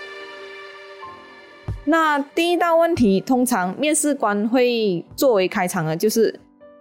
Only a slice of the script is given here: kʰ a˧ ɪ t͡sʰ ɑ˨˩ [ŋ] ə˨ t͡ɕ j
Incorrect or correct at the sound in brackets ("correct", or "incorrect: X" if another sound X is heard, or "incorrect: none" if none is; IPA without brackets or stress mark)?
correct